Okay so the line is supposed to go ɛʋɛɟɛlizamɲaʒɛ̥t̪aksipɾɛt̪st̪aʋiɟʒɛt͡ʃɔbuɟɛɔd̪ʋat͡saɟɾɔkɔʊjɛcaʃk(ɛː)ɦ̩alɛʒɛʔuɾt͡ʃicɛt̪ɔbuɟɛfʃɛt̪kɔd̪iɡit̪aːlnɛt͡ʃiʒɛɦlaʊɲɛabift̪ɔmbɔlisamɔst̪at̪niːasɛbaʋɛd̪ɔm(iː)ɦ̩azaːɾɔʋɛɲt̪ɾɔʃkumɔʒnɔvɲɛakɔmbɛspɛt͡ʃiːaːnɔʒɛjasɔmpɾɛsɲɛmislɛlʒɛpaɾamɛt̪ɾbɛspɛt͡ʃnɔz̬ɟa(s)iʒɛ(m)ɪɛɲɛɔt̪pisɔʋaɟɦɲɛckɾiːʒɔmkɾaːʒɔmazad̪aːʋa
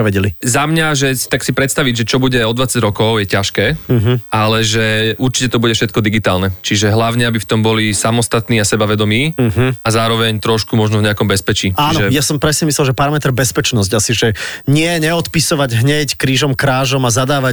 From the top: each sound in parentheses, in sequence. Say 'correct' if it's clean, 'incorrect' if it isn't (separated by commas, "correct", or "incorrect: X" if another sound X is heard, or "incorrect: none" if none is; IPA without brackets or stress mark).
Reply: correct, correct, correct, incorrect: ɲ